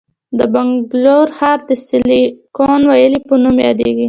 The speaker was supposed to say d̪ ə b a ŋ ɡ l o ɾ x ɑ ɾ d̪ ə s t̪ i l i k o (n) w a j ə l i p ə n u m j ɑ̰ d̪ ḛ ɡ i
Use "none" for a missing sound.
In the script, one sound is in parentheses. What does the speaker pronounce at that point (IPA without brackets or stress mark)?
n